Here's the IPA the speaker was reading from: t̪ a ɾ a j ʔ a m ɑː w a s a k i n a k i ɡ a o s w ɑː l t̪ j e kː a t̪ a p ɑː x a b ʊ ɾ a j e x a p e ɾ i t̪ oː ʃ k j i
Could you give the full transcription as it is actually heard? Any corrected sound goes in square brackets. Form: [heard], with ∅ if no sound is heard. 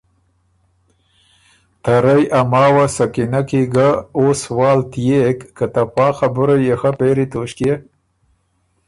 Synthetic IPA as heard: t̪ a ɾ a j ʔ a m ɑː w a s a k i n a k i ɡ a o s w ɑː l t̪ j e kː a t̪ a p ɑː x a b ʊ ɾ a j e x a p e ɾ i t̪ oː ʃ k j [e]

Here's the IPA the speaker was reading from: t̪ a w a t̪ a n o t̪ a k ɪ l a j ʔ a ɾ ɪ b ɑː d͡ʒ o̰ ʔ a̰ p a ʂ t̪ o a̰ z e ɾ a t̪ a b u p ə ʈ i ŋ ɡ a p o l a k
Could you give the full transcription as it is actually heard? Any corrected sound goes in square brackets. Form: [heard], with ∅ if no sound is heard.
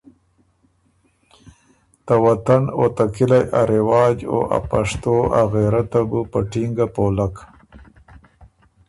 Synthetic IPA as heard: t̪ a w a t̪ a n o t̪ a k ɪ l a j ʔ a ɾ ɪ [w] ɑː d͡ʒ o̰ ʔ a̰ p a ʂ t̪ o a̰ [ɣ] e ɾ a t̪ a b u p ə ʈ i ŋ ɡ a p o l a k

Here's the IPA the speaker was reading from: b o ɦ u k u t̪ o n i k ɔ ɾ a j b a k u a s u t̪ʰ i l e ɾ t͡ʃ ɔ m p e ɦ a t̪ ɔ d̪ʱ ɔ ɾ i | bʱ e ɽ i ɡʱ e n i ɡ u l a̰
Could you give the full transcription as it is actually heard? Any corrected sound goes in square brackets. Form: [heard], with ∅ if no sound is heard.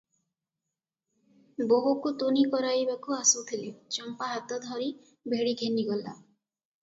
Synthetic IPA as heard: b o ɦ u k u t̪ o n i k ɔ ɾ a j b a k u a s u t̪ʰ i l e [∅] t͡ʃ ɔ m p [a] ɦ a t̪ ɔ d̪ʱ ɔ ɾ i | bʱ e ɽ i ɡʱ e n i ɡ [ɔ] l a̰

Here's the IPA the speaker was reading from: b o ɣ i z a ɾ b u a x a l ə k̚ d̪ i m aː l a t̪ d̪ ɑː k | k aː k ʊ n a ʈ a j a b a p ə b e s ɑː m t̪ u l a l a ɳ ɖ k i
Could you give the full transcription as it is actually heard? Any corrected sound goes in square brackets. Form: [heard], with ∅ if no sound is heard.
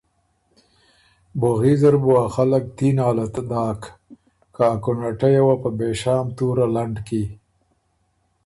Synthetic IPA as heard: b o ɣ i z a ɾ b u a x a l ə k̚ [t̪] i [n] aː l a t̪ d̪ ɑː k | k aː k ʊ n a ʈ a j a [w] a p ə b e [ʃ] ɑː m t̪ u [ɾ] a l a ɳ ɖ k i

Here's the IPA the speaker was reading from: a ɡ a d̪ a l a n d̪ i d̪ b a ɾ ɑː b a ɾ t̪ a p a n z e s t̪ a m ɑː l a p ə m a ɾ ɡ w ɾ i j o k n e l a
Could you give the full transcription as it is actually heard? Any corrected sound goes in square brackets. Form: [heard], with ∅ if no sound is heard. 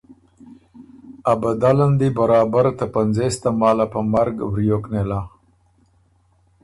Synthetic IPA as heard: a [b] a d̪ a l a n d̪ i [∅] b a ɾ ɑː b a ɾ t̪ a p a n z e s t̪ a m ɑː l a p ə m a ɾ ɡ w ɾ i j o k n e l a

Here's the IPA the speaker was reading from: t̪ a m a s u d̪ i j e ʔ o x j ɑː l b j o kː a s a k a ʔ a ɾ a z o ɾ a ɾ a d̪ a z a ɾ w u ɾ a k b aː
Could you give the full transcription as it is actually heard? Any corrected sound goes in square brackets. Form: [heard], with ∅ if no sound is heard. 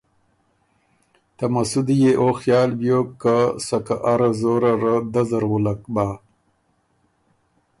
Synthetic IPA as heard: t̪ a m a s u d̪ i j e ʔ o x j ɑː l b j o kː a s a k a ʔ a ɾ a z o ɾ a ɾ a d̪ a z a ɾ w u [l] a k b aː

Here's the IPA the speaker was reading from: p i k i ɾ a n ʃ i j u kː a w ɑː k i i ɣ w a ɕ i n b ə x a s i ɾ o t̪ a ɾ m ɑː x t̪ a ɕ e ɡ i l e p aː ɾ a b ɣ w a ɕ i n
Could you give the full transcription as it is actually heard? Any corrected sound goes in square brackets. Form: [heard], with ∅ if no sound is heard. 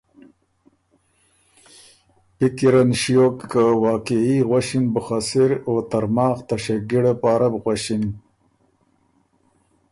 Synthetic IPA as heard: p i k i ɾ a n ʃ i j [o] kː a w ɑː k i i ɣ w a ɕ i n b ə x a s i ɾ o t̪ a ɾ m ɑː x t̪ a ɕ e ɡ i [ɽ] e p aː ɾ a b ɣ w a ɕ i n

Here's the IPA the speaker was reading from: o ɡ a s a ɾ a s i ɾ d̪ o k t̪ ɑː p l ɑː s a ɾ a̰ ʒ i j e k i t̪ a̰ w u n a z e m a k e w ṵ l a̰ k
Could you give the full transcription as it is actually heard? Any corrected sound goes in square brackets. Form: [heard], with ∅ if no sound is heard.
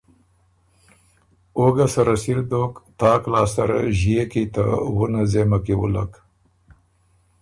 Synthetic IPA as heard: o ɡ a s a ɾ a s i ɾ d̪ o k t̪ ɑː [k] l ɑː s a ɾ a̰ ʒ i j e k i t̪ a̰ w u n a z e m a k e w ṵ l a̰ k

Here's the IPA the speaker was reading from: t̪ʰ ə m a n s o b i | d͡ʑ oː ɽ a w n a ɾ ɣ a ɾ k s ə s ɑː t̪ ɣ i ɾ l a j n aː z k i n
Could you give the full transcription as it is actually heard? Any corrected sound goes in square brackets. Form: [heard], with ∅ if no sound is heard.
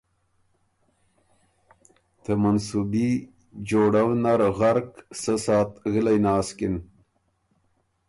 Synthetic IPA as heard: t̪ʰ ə m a n s [u] b i | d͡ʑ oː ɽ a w n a ɾ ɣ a ɾ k s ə s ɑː t̪ ɣ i [∅] l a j n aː [s] k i n

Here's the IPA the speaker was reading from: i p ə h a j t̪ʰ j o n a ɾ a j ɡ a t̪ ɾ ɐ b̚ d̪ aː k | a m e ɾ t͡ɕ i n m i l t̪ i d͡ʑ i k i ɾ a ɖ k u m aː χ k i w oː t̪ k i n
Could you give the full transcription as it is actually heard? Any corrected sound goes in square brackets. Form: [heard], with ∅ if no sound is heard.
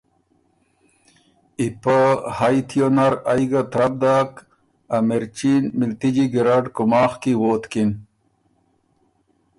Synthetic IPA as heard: i p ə h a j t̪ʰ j o n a ɾ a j ɡ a t̪ ɾ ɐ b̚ d̪ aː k | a m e ɾ t͡ɕ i n m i l t̪ i d͡ʑ i [ɡ] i ɾ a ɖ k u m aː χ k i w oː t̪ k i n

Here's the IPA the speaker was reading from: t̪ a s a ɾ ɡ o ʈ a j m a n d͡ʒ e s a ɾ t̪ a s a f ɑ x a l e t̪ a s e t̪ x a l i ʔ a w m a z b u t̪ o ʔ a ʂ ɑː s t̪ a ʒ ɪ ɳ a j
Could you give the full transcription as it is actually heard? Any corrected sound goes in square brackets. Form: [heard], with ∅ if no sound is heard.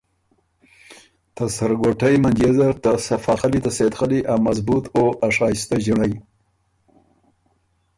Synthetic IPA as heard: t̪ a s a ɾ ɡ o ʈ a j m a n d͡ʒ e [z] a ɾ t̪ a s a f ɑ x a l [i] t̪ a s e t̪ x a l i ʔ a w m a z b u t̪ o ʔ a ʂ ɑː s t̪ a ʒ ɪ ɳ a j

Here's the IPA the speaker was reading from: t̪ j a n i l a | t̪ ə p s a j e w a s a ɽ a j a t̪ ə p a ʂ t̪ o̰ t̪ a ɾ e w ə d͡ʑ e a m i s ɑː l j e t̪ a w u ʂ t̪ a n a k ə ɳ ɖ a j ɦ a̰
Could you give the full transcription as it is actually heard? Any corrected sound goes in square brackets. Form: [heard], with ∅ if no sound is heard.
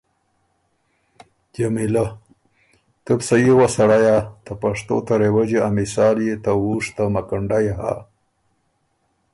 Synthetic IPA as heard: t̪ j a [m] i l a | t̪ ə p s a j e w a s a ɽ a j a t̪ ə p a ʂ t̪ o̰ t̪ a ɾ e w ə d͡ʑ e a m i s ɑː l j e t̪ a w u ʂ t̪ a [m] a k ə ɳ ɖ a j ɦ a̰

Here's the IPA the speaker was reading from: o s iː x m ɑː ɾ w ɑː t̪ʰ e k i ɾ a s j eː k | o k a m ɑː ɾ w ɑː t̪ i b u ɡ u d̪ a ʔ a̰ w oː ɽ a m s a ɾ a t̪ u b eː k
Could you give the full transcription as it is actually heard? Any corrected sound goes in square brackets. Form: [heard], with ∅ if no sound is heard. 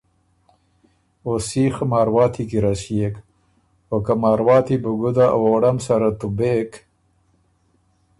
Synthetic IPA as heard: o s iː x m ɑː ɾ w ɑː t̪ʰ [i] k i ɾ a s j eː k | o k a m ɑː ɾ w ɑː t̪ i b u ɡ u d̪ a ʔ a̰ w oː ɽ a m s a ɾ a t̪ u b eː k

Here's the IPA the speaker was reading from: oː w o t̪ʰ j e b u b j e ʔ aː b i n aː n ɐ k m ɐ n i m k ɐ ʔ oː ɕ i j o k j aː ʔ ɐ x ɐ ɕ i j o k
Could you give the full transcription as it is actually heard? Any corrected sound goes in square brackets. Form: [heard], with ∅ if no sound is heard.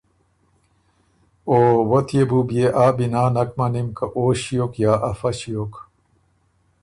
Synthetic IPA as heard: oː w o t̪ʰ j e b u b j e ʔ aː b i n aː n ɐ k m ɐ n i m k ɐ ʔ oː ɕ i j o k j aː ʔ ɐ [f] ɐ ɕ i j o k

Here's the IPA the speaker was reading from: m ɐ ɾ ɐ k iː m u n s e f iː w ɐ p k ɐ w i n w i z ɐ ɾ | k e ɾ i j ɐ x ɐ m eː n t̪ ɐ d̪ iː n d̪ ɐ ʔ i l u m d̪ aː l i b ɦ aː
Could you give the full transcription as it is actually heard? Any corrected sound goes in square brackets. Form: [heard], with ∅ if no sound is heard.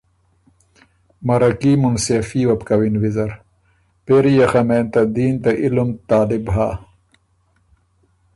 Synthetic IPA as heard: m ɐ ɾ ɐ k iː m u n s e f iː w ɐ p k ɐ w i n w i z ɐ ɾ | [p] e ɾ i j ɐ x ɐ m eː n t̪ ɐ d̪ iː n [t̪] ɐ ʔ i l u m [t̪] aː l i b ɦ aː

